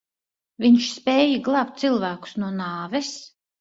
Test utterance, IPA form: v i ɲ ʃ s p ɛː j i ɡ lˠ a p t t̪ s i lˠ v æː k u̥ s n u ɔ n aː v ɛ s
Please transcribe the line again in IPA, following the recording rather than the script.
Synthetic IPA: v i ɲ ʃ s p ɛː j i ɡ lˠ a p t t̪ s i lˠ v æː k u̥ s n u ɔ n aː v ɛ s